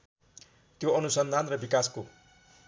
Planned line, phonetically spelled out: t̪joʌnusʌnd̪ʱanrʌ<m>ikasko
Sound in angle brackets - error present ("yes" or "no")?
yes